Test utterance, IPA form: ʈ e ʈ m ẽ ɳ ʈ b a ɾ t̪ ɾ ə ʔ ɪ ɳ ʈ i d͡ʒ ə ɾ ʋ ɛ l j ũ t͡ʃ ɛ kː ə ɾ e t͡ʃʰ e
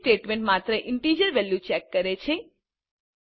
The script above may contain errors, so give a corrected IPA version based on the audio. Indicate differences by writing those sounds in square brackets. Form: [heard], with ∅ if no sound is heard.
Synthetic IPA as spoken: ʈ e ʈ m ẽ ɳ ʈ [m] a [∅] t̪ ɾ ə ʔ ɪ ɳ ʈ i d͡ʒ ə ɾ ʋ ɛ l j [u] t͡ʃ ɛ kː ə ɾ e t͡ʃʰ e